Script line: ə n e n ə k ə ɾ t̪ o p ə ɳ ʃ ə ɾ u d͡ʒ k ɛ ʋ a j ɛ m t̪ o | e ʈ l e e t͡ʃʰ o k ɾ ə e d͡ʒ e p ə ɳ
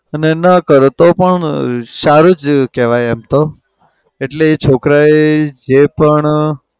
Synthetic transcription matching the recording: ə n e n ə k ə ɾ t̪ o p ə ɳ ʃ a ɾ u d͡ʒ k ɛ ʋ a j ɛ m t̪ o | e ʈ l e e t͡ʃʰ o k ɾ a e d͡ʒ e p ə ɳ